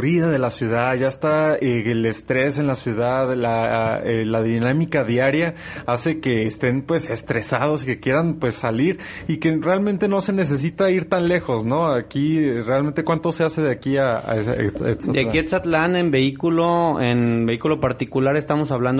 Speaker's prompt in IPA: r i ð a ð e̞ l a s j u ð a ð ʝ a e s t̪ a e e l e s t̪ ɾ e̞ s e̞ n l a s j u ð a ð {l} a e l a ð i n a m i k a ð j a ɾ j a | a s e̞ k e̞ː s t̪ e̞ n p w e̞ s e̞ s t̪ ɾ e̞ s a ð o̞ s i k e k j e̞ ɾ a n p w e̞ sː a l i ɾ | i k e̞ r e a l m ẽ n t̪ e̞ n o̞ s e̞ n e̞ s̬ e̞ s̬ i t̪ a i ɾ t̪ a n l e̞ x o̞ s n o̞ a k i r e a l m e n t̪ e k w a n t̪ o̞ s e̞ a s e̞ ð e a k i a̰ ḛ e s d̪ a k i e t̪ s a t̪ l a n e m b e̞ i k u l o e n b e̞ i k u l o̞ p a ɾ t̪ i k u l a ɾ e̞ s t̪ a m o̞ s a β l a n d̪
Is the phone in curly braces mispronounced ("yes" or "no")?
no